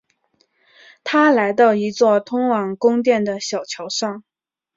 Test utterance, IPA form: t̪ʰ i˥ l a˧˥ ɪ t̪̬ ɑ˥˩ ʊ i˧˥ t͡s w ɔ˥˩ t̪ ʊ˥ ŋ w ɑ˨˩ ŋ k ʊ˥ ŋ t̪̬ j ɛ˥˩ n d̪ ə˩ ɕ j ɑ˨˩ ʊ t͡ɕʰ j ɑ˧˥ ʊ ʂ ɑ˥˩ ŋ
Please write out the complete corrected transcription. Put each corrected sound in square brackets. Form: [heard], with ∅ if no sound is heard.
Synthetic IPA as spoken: t̪ʰ [a˥] l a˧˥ ɪ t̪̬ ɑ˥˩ ʊ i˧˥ t͡s w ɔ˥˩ [t̪ʰ] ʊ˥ ŋ w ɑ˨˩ ŋ k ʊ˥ ŋ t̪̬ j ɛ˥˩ n d̪ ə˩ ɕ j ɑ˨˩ ʊ t͡ɕʰ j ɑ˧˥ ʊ ʂ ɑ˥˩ ŋ